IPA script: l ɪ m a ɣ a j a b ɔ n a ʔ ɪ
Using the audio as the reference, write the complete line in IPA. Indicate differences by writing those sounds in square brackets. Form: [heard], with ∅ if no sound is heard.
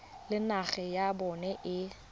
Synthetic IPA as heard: l ɪ [n] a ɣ [ɛ] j a b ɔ n [ɛ] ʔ ɪ